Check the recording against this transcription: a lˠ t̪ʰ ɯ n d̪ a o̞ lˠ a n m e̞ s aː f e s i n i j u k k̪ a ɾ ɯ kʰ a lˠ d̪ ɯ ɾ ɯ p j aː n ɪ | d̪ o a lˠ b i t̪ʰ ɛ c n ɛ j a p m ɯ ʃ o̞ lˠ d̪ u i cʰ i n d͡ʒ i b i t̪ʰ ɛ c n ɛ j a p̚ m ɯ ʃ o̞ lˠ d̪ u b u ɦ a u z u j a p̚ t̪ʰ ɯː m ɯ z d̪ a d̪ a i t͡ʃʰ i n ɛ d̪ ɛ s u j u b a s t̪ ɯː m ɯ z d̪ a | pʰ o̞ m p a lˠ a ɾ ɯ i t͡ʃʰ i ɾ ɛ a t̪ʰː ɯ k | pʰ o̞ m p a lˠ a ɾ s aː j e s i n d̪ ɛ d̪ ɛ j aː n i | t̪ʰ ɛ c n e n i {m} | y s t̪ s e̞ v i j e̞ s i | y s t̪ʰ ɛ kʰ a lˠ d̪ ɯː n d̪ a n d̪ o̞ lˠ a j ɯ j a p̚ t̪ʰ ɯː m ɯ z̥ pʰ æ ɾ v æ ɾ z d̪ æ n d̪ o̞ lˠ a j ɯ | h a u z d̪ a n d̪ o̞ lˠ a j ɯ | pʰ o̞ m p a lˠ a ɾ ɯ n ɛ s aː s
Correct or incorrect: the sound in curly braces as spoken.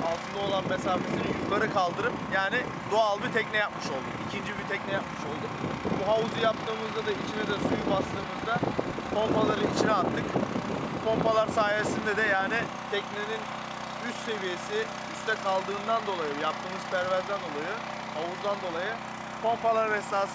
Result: incorrect: n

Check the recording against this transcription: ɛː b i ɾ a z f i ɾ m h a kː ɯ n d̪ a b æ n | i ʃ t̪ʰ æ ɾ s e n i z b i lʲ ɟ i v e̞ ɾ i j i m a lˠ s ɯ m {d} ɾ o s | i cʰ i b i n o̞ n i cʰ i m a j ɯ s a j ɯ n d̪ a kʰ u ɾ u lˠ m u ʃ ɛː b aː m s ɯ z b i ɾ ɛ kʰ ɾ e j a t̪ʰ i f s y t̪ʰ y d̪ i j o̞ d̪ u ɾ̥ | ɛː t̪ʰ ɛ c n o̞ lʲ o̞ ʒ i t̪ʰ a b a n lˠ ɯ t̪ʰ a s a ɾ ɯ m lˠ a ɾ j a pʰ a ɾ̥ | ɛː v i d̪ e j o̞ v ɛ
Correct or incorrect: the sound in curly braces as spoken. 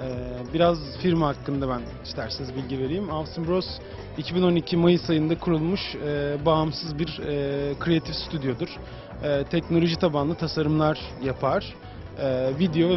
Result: incorrect: b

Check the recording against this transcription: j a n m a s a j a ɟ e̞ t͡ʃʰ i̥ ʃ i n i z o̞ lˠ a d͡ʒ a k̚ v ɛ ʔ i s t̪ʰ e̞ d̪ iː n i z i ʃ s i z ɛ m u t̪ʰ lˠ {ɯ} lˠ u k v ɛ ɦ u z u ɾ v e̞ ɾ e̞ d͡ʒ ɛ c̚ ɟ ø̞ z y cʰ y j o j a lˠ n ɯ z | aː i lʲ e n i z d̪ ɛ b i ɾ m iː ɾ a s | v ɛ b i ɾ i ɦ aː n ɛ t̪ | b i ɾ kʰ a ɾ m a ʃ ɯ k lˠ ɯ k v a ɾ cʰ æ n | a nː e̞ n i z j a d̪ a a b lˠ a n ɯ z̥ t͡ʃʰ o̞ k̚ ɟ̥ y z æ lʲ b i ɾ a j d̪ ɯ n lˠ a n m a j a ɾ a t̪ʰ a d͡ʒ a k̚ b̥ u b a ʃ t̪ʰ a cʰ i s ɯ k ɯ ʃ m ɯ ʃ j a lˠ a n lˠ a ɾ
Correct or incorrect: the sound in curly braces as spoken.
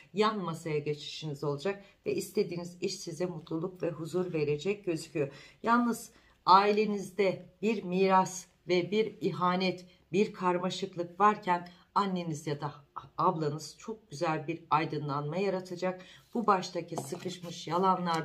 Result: incorrect: u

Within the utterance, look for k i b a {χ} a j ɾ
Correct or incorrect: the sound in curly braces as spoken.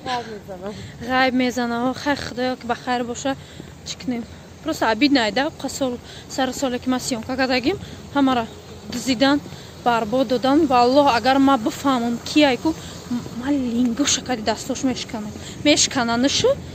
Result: correct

